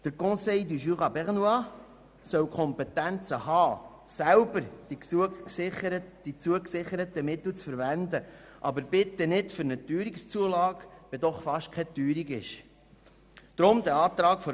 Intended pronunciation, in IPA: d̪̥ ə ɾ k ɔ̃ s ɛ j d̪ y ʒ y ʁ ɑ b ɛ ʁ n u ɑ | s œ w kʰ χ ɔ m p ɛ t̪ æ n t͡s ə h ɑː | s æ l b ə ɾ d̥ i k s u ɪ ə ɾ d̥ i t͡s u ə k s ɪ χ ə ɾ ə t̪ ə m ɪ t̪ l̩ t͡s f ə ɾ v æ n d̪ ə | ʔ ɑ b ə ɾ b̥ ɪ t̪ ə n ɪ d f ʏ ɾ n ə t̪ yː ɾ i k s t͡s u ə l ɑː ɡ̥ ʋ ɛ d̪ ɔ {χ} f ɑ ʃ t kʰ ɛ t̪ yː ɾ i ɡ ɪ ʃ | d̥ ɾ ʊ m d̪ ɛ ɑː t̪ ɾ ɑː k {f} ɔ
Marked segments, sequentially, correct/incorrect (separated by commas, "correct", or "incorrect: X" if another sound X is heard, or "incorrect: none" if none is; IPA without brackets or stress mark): correct, correct